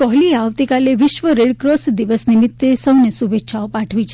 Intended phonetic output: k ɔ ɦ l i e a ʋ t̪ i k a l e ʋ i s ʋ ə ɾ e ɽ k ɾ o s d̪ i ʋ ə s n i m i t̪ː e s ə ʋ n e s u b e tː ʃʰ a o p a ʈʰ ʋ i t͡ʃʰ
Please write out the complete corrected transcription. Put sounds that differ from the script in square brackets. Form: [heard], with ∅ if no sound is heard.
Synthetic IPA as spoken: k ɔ ɦ l i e a ʋ t̪ i k a l e ʋ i [ʃ] ʋ ə ɾ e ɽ k ɾ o s d̪ i ʋ ə s n i m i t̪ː e s ə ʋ n e s u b e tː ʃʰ a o p a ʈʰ ʋ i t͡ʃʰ